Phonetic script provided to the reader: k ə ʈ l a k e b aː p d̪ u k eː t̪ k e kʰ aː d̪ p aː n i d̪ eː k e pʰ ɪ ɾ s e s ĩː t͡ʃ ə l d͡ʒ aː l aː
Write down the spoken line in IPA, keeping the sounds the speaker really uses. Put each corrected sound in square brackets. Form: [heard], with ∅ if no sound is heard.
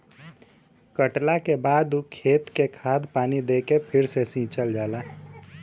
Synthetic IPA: k ə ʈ l a k e b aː [∅] d̪ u [kʰ] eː t̪ k e kʰ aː d̪ p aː n i d̪ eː k e pʰ ɪ ɾ s e s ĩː t͡ʃ ə l d͡ʒ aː l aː